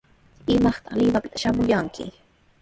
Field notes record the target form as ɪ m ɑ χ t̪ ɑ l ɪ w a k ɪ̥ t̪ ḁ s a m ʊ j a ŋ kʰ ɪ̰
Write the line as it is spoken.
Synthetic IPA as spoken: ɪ m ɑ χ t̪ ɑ l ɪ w a p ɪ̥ t̪ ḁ ʃ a m ʊ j a ŋ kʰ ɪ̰